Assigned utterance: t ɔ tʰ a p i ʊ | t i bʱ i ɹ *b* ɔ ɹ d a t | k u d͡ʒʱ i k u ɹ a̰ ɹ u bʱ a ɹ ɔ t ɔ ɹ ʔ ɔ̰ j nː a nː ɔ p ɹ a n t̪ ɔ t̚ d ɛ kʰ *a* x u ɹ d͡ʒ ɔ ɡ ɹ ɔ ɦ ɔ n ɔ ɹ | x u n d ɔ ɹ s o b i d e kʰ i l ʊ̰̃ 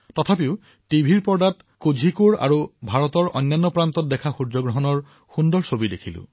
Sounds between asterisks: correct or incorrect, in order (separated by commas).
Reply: incorrect, correct